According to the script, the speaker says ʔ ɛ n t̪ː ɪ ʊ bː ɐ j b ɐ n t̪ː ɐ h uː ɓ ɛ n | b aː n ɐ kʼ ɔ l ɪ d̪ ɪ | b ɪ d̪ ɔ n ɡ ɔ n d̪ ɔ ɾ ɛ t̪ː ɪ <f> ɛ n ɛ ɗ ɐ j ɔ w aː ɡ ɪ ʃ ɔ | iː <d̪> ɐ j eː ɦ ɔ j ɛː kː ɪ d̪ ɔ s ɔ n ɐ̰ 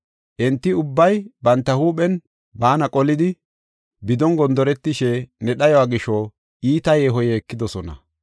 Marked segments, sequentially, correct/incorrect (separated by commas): incorrect, incorrect